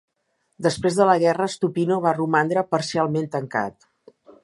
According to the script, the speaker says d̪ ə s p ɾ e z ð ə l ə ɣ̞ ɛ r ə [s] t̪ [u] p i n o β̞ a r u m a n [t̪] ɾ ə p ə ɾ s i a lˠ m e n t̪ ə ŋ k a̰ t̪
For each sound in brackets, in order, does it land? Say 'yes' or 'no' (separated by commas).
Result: yes, yes, no